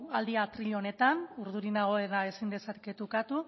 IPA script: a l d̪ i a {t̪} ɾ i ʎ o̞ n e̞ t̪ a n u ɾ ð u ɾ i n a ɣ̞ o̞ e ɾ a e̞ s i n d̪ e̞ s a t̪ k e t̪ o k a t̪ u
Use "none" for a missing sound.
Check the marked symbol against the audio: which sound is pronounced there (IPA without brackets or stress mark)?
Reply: t̪